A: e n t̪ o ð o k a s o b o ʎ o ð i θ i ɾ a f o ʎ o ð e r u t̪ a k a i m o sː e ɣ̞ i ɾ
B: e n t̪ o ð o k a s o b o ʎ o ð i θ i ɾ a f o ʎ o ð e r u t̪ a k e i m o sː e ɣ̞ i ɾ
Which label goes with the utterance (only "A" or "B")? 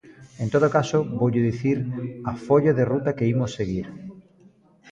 B